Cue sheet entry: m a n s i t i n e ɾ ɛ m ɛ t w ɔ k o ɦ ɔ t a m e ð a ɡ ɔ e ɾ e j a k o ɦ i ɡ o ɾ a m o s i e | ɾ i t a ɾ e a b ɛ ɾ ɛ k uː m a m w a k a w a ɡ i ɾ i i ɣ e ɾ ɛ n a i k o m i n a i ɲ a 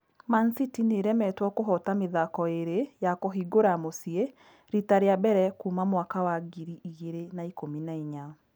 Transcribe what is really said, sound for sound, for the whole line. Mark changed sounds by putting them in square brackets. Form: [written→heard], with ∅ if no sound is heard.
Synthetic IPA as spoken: m a n s i t i n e ɾ ɛ m ɛ t w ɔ k o ɦ ɔ t a m e ð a [ɡ→k] ɔ e ɾ e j a k o ɦ i ɡ o ɾ a m o s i e | ɾ i t a ɾ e a b ɛ ɾ ɛ k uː m a m w a k a w a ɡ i ɾ i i ɣ e ɾ [ɛ→e] n a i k o m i n a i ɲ a